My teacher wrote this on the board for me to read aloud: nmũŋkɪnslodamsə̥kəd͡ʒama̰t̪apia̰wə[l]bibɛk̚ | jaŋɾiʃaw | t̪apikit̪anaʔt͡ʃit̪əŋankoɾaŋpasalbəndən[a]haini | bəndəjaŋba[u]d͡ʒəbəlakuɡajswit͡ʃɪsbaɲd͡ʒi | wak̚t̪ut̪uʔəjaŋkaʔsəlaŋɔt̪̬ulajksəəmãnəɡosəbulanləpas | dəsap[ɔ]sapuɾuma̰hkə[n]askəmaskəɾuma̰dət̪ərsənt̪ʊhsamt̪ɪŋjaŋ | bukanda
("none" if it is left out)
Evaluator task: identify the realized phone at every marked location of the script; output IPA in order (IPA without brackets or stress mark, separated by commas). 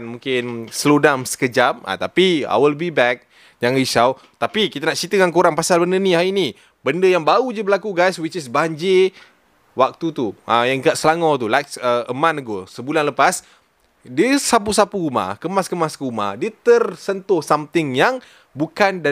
l, i, u, u, m